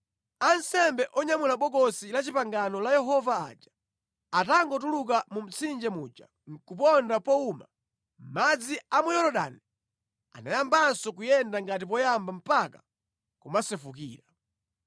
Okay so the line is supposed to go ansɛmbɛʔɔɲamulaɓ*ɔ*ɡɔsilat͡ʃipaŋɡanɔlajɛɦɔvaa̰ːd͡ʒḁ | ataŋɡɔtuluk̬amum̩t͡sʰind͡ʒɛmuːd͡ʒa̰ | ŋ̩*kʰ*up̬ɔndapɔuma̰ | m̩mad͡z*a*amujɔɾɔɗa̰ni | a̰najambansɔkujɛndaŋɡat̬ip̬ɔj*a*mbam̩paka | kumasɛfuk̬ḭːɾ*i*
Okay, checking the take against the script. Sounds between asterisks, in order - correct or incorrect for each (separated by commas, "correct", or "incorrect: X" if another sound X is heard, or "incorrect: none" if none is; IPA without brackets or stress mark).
correct, incorrect: k, incorrect: i, correct, incorrect: a